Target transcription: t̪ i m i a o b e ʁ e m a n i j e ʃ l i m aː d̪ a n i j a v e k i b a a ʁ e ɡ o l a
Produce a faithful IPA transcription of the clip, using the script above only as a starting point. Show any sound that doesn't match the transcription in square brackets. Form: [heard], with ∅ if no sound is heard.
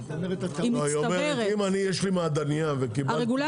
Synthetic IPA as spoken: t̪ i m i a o [m] e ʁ [i] m a n i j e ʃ l i m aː d̪ a n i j a v e k i b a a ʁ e ɡ [u] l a